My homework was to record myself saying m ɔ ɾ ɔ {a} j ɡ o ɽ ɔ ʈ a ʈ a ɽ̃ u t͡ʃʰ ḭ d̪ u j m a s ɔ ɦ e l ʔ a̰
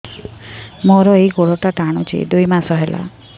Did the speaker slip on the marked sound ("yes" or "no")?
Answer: yes